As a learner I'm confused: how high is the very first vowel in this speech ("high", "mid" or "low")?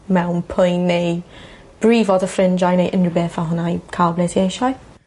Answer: mid